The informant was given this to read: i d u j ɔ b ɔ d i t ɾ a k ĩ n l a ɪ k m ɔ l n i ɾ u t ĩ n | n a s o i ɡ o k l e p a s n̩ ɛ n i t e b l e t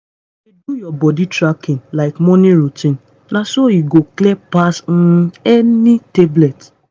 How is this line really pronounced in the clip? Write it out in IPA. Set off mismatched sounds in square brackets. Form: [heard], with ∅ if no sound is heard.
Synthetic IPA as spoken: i d u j ɔ b ɔ d i t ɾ a k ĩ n l a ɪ k m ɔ [∅] n i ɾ u t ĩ n | n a s o i ɡ o k l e p a s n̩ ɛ n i t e b l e t